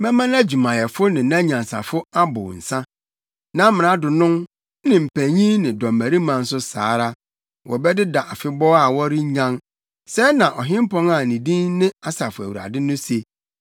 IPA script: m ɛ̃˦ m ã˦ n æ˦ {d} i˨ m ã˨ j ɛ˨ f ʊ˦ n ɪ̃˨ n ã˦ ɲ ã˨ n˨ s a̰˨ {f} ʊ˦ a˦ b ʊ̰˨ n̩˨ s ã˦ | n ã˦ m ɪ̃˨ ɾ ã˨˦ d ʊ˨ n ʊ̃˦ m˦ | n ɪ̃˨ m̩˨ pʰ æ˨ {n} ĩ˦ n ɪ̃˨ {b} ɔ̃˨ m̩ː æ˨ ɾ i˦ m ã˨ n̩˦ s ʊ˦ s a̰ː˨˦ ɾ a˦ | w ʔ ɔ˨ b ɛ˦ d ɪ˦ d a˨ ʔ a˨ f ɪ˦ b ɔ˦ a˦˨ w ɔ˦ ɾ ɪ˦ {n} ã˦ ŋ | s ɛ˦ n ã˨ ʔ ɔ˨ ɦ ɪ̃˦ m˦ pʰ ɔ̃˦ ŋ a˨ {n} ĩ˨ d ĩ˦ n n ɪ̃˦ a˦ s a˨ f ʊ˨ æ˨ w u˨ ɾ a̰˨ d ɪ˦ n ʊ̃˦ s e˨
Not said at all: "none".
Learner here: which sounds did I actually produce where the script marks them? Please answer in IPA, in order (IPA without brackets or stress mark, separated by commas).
d͡ʑ, f, ɲ, d, ɲ, n